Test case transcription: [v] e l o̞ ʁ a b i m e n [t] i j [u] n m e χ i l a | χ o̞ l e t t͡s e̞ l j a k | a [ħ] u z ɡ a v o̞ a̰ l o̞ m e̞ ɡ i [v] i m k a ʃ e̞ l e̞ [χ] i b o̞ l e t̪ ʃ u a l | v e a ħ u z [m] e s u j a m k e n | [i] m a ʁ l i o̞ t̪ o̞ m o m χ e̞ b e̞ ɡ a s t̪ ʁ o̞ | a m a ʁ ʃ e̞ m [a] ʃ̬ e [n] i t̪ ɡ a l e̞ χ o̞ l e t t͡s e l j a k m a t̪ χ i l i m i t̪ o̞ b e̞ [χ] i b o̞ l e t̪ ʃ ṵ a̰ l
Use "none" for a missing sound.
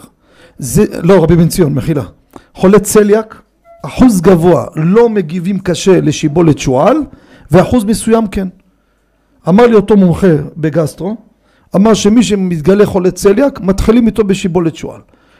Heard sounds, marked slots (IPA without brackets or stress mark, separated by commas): z, t͡s, o, ħ, v, ʃ, m, a, i, m, ʃ